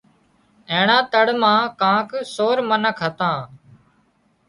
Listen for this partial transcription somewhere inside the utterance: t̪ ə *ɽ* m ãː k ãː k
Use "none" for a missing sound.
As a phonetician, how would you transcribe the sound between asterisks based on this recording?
ɽ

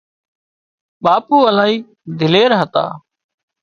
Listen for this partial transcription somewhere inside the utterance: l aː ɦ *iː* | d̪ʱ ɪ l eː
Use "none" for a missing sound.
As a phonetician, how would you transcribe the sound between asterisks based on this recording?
iː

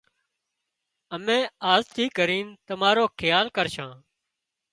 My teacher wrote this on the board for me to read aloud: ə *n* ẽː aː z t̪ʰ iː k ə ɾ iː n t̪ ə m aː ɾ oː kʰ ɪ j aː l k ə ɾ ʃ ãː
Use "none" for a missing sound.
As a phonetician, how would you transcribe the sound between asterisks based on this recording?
m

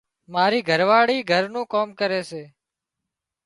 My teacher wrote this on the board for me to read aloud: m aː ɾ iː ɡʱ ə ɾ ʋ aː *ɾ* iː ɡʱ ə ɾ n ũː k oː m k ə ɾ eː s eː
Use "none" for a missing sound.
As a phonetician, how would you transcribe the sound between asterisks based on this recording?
ɽ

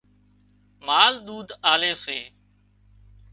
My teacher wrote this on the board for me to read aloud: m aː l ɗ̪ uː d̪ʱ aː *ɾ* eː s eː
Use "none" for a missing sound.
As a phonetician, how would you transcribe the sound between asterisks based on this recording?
l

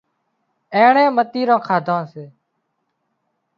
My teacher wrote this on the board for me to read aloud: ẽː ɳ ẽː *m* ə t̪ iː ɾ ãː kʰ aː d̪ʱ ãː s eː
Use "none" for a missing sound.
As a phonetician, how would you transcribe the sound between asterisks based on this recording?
m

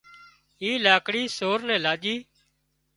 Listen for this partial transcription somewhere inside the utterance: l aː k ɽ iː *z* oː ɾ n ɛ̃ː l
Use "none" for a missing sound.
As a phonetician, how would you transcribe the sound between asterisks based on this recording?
s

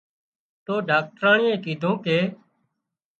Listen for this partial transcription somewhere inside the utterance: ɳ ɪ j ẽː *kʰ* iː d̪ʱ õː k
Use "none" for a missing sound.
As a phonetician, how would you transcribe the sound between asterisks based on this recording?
k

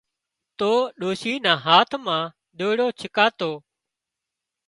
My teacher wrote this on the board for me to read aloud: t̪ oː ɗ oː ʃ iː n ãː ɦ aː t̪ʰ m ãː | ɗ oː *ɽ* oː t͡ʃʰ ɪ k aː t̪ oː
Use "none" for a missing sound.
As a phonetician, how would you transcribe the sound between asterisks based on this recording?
ɽ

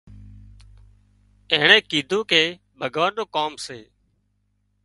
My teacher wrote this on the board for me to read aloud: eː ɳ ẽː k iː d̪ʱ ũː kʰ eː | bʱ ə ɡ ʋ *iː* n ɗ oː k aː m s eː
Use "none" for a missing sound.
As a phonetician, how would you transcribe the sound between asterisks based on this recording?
aː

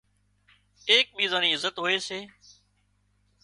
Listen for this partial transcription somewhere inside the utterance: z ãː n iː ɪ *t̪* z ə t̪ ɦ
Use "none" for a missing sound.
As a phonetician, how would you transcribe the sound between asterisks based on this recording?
none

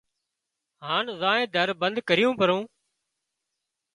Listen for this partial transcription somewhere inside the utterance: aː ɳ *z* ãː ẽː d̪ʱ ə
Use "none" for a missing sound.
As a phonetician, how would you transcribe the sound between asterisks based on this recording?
z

